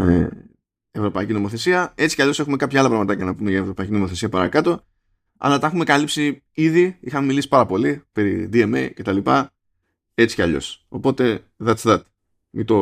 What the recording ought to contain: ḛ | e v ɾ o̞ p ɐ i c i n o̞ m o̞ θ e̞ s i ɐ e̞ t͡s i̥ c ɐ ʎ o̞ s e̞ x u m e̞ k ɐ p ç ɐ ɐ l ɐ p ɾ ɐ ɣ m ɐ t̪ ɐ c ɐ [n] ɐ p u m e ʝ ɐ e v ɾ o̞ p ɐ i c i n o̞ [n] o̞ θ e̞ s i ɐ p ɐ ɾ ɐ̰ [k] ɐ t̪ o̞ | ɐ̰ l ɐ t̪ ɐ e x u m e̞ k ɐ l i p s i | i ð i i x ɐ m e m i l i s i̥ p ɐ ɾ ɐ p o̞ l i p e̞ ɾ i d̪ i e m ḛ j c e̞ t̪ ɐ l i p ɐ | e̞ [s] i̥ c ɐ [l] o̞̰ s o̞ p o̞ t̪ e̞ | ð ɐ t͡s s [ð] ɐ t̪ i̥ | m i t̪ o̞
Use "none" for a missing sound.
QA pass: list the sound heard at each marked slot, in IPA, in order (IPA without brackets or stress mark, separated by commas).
n, m, k, t͡s, ʎ, ð